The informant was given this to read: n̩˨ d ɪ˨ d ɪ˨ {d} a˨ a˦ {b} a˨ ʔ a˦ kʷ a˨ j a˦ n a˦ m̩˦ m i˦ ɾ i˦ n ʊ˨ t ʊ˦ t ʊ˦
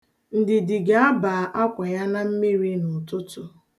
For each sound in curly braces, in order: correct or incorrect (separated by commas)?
incorrect, correct